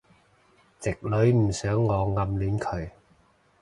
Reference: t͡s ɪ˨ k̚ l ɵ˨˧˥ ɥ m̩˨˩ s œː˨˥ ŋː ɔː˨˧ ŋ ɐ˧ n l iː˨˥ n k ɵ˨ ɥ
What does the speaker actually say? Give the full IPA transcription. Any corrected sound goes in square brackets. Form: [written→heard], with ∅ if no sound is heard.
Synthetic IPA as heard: t͡s ɪ˨ k̚ l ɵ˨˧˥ ɥ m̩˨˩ s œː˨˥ ŋː ɔː˨˧ ŋ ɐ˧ [n→m] l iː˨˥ n [k→kʰ] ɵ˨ ɥ